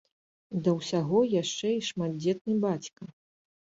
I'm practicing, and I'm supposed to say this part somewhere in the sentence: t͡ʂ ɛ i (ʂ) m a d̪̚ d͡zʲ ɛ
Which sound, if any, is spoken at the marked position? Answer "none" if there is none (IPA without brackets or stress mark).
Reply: ʂ